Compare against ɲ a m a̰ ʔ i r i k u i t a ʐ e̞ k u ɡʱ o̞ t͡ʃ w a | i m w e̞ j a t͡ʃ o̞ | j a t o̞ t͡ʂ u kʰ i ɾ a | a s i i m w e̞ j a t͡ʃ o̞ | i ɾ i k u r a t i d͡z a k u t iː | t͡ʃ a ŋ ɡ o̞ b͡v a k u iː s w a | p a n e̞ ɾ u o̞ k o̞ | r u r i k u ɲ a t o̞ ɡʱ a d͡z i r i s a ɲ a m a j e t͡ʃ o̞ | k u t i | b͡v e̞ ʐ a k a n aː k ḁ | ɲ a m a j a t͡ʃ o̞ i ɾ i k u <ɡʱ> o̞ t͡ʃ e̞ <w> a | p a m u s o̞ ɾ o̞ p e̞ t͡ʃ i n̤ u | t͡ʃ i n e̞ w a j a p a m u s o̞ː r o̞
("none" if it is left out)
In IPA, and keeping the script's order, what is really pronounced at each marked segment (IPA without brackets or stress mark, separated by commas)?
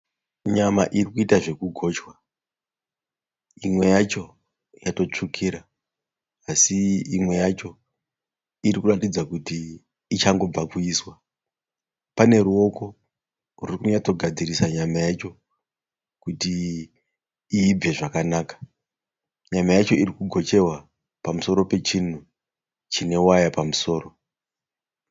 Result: ɡʱ, w